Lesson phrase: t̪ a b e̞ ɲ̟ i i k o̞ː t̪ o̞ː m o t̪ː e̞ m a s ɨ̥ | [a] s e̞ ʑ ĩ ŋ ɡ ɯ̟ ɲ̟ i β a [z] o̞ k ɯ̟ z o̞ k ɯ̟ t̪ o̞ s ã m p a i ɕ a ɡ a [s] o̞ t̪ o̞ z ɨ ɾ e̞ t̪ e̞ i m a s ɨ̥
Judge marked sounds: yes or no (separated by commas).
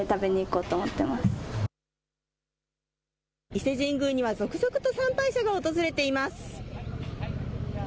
no, yes, no